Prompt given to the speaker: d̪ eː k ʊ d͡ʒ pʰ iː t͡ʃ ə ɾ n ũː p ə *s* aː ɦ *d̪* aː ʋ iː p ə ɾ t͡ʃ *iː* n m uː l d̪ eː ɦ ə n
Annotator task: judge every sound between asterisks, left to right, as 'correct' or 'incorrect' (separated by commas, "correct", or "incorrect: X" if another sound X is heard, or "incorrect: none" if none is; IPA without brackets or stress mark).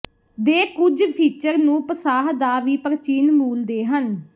correct, correct, correct